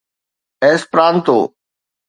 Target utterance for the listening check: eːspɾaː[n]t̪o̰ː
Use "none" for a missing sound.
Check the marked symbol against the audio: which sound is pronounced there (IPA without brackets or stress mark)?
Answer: n